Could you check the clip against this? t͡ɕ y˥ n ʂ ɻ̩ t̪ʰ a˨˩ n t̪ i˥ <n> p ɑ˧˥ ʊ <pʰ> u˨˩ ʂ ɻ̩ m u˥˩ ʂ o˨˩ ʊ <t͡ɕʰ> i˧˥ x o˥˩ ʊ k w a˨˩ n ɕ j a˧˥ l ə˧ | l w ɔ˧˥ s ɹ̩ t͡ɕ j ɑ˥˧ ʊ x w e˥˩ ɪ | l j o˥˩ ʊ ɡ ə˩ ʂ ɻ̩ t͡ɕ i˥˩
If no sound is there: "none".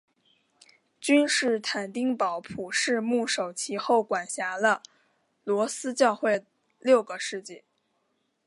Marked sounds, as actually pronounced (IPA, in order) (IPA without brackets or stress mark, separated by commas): ŋ, pʰ, t͡ɕʰ